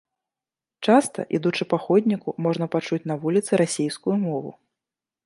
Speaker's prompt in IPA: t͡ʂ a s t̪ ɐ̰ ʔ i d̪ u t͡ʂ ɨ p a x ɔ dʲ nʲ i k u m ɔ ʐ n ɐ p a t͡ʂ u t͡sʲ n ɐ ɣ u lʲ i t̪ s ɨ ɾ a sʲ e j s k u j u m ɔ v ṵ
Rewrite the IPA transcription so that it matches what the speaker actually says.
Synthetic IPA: t͡ʂ a s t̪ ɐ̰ ʔ i d̪ u t͡ʂ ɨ p a x ɔ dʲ nʲ i k u m ɔ ʐ n ɐ p a t͡ʂ u t͡sʲ n ɐ v u lʲ i t̪ s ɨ ɾ a sʲ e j s k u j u m ɔ v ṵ